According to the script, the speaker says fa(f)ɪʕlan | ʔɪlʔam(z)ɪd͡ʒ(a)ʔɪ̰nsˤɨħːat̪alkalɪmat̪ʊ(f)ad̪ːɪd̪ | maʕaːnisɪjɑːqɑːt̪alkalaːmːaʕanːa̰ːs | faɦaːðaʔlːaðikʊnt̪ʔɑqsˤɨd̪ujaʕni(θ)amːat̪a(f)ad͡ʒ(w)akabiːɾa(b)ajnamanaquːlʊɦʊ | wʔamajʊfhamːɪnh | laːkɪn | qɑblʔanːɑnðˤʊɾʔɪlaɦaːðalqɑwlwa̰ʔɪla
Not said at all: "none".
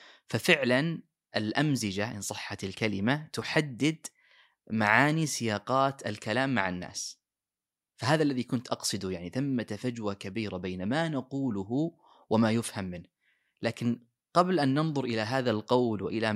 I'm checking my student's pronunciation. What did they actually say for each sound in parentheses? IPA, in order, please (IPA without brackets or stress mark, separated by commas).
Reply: f, z, a, ħ, θ, f, w, b